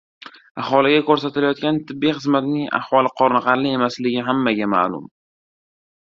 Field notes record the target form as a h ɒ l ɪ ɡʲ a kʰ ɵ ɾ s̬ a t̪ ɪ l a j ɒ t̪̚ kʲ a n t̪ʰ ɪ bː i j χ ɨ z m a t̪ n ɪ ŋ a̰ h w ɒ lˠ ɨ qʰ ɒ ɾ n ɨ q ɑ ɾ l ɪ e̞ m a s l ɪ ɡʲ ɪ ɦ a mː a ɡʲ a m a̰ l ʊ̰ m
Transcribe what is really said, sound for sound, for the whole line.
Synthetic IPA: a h ɒ l ɪ ɡʲ a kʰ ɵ ɾ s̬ a t̪ ɪ l a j ɒ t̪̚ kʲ a n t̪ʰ ɪ bː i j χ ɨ z m a t̪ n ɪ ŋ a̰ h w ɒ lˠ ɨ qʰ ɒ ɾ n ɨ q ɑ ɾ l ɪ e̞ m a s l ɪ ɡʲ ɪ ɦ a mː a ɡʲ a m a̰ l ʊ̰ m

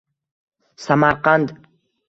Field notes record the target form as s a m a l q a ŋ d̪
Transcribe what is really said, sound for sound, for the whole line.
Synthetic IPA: s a m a ɾ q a n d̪

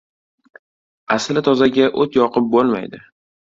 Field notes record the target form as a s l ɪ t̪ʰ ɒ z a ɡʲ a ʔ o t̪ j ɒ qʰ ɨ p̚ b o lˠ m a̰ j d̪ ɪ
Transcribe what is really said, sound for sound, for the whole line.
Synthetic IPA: a s l ɪ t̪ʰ ɒ z a ɡʲ a ʔ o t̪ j ɒ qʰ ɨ p̚ b o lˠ m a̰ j d̪ ɪ

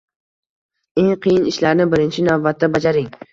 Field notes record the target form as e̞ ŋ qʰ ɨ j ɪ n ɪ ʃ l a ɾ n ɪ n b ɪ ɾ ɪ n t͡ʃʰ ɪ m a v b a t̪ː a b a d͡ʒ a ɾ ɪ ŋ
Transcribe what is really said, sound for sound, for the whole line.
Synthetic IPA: e̞ ŋ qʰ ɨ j ɪ n ɪ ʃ l a ɾ n ɪ b ɪ ɾ ɪ n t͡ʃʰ ɪ n a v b a t̪ː a b a d͡ʒ a ɾ ɪ ŋ

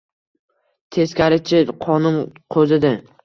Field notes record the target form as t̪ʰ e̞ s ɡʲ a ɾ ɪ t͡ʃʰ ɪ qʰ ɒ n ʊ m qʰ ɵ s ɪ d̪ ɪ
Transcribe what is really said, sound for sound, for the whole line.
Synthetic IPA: t̪ʰ e̞ s kʲ a ɾ ɪ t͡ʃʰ ɪ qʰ ɒ n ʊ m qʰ ɵ z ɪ d̪ ɪ

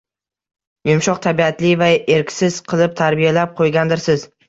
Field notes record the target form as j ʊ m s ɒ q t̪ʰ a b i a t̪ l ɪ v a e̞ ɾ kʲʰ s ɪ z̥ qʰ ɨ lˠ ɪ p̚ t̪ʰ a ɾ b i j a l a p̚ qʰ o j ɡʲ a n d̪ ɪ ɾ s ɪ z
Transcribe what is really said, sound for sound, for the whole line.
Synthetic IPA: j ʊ m ʃ ɒ q t̪ʰ a b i a t̪ l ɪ v a e̞ ɾ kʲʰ s ɪ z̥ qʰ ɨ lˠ ɪ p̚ t̪ʰ a ɾ b i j a l a p̚ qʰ o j ɡʲ a n d̪ ɪ ɾ s ɪ z

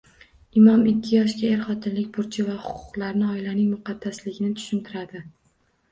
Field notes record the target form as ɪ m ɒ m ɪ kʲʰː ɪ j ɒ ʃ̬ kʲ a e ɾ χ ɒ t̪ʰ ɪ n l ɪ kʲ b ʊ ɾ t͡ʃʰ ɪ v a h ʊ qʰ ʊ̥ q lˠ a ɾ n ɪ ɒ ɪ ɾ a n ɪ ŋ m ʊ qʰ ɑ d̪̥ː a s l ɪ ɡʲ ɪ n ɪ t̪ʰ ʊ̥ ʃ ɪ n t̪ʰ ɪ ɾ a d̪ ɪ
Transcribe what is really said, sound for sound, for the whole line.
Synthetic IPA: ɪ m ɒ m ɪ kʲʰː ɪ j ɒ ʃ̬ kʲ a e ɾ χ ɒ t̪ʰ ɪ n l ɪ kʲ b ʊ ɾ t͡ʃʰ ɪ v a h ʊ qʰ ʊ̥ q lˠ a ɾ n ɪ ɒ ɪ l a n ɪ ŋ m ʊ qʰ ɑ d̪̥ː a s l ɪ ɡʲ ɪ n ɪ t̪ʰ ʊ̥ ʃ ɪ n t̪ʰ ɪ ɾ a d̪ ɪ

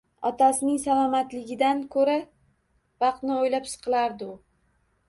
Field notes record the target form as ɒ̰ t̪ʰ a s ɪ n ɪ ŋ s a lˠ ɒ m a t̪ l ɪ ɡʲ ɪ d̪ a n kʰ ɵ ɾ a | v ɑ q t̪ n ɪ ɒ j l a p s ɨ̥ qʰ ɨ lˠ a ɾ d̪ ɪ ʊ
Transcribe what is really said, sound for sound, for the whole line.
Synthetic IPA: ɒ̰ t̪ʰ a s ɪ n ɪ ŋ s a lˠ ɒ m a t̪ l ɪ ɡʲ ɪ d̪ a n kʰ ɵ ɾ a | v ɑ q t̪ n ɪ o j l a p s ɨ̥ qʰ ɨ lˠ a ɾ d̪ ɪ ʊ

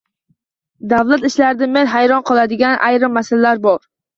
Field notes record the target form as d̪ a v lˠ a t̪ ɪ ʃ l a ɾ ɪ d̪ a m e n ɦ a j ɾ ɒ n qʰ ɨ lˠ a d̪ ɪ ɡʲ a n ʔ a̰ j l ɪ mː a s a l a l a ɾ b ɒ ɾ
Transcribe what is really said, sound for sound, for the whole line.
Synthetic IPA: d̪ a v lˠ a t̪ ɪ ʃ l a ɾ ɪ d̪ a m e n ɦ a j ɾ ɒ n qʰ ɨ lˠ a d̪ ɪ ɡʲ a n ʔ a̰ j ɾ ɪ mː a s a l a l a ɾ b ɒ ɾ

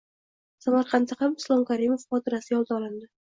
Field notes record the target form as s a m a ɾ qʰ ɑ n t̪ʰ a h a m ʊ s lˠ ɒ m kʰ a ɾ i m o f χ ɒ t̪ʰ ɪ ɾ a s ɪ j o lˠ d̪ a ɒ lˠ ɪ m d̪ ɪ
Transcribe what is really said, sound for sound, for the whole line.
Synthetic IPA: s a m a ɾ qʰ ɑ n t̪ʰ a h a m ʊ s lˠ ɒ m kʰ a ɾ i m o f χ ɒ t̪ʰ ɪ ɾ a s ɪ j ɒ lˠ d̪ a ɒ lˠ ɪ n d̪ ɪ

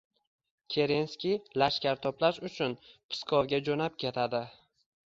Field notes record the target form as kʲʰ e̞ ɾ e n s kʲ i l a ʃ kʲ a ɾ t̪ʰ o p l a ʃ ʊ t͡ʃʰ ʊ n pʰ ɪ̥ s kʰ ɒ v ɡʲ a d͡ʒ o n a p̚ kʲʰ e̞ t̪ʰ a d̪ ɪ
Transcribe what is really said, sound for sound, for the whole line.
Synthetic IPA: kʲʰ e̞ ɾ e n s kʲ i l a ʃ kʲ a ɾ t̪ʰ ɒ p l a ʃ ʊ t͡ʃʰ ʊ n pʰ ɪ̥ s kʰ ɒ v ɡʲ a d͡ʒ o n a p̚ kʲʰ e̞ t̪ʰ a d̪ ɪ

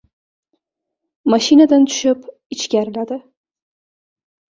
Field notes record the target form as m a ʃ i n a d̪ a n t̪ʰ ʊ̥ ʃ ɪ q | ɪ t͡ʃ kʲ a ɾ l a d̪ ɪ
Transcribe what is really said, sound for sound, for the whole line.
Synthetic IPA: m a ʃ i n a d̪ a n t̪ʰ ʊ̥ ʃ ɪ p | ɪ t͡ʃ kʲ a ɾ l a d̪ ɪ

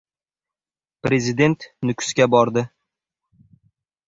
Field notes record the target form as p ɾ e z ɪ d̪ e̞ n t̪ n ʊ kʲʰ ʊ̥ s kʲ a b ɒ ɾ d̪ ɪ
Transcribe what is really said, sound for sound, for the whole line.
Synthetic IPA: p ɾ e z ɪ d̪ e̞ n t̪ n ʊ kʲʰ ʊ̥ s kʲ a b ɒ ɾ d̪ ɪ

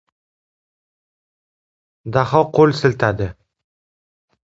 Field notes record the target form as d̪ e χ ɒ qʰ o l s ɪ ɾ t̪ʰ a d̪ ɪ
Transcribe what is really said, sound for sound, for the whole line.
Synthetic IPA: d̪ a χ ɒ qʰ o l s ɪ l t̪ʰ a d̪ ɪ

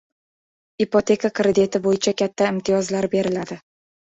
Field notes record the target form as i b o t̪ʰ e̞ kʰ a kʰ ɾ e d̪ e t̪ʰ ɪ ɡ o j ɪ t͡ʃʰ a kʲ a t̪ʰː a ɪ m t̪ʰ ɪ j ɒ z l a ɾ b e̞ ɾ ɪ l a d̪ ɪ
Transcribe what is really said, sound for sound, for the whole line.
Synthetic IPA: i p o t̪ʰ e̞ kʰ a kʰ ɾ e d̪ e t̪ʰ ɪ b o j ɪ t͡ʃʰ a kʲ a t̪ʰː a ɪ m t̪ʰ ɪ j ɒ z l a ɾ b e̞ ɾ ɪ l a d̪ ɪ

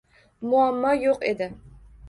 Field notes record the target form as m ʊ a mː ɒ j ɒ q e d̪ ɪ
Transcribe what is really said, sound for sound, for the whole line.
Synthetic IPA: m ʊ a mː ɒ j o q e d̪ ɪ

